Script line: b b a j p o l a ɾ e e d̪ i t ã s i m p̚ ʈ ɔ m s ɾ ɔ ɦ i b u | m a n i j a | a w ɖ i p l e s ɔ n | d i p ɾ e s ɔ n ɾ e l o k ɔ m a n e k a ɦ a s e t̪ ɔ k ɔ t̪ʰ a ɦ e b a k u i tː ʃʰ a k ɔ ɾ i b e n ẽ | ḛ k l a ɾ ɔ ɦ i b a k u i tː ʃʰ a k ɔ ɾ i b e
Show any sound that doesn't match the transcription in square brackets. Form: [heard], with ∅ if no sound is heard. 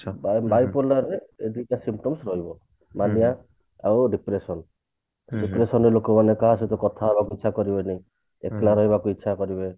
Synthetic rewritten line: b b a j p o l a ɾ e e d̪ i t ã s i m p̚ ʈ ɔ m s ɾ ɔ ɦ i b [ɔ] | m a n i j a | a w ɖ i p [ɾ] e s ɔ n | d i p ɾ e s ɔ n ɾ e l o k ɔ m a n e k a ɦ a s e t̪ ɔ k ɔ t̪ʰ a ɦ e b a k u i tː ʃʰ a k ɔ ɾ i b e n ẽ | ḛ k l a ɾ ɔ ɦ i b a k u i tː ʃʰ a k ɔ ɾ i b e